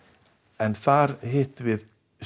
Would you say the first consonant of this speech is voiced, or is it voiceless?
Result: voiced